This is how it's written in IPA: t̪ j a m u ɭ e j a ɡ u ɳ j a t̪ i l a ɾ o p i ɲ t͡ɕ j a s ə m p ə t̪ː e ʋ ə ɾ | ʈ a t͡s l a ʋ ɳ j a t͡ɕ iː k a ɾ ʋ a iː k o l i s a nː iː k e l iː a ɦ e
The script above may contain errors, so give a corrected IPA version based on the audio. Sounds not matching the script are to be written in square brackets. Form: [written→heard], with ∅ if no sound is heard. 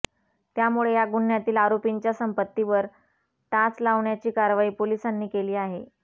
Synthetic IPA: t̪ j a m u ɭ e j a ɡ u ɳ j a t̪ [i→iː] l a ɾ o p i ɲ t͡ɕ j a s ə m p ə t̪ː [e→i] ʋ ə ɾ | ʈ a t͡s l a ʋ ɳ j a t͡ɕ iː k a ɾ ʋ a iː [k→p] o l i s a nː iː k e l iː a ɦ e